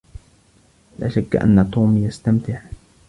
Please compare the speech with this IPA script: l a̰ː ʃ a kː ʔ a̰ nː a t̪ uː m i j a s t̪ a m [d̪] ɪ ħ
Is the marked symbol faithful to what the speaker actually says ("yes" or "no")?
no